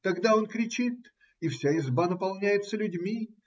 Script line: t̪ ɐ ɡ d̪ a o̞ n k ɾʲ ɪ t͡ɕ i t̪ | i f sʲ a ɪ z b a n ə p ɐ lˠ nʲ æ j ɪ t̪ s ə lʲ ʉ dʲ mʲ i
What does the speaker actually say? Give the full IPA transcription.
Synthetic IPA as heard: t̪ ɐ ɡ d̪ a o̞ n k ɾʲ ɪ t͡ɕ i t̪ | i f sʲ a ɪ z b a n ə p ɐ lˠ nʲ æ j ɪ t̪ s ə lʲ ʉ dʲ mʲ i